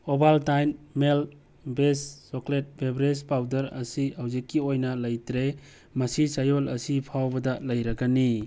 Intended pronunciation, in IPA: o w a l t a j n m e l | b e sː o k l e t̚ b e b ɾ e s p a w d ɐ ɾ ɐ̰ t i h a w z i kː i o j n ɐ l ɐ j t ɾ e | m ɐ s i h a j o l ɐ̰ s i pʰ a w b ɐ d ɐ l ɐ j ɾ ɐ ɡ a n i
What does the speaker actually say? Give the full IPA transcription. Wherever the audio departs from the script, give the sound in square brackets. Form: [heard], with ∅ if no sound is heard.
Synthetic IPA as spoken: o [b] a l t a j n m e l | b e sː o k l e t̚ b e b ɾ e s p a w d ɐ ɾ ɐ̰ [s] i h a w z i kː i o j n ɐ l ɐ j t ɾ e | m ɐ s i [s] a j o l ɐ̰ s i pʰ a w b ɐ d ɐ l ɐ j ɾ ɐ ɡ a n i